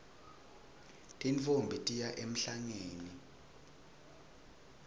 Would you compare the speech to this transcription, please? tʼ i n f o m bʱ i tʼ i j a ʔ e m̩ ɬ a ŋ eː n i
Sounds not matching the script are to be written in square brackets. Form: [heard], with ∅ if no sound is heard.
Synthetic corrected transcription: tʼ i n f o m bʱ i tʼ i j a ʔ e m̩ ɬ a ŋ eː n i